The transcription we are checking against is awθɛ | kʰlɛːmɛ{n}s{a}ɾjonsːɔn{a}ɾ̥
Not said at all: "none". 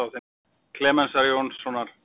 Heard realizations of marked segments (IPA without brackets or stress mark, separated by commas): n, a, a